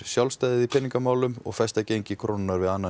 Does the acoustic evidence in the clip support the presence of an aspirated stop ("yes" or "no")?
yes